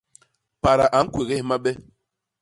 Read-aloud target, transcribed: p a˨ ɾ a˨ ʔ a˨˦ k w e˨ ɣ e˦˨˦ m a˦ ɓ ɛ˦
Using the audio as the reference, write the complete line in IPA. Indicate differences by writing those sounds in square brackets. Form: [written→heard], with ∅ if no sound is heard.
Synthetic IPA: p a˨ ɾ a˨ ʔ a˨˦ k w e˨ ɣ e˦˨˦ m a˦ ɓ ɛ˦